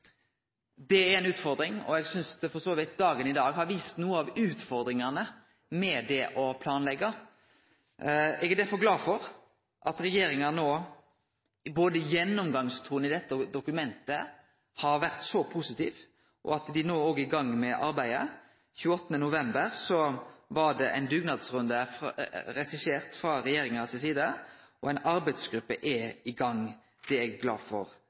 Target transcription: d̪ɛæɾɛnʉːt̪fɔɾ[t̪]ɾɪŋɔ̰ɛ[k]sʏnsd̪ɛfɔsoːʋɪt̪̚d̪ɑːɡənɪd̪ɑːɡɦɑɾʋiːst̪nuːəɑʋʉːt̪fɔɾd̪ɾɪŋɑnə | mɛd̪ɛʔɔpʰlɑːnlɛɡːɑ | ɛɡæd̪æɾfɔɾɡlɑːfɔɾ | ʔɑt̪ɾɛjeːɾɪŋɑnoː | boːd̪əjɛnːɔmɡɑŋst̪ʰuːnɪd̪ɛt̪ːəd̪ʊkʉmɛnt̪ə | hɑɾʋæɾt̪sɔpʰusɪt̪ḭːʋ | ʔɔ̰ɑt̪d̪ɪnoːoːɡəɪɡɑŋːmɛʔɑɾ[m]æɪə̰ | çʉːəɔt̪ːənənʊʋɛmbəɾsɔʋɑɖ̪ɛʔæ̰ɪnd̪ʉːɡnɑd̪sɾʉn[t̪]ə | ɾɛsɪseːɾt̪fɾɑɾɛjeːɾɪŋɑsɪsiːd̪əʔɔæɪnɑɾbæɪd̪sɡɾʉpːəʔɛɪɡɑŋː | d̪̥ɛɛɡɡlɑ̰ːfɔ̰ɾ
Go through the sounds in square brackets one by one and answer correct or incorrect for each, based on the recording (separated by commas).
incorrect, incorrect, incorrect, incorrect